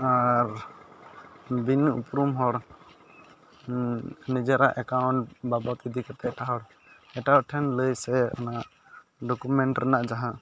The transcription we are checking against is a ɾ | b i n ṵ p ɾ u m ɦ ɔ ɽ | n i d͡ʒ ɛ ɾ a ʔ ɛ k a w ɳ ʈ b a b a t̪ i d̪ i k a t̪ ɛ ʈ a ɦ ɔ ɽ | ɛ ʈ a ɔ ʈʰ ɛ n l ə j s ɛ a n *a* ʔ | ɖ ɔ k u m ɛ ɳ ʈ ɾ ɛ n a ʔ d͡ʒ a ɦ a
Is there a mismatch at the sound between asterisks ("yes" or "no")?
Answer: no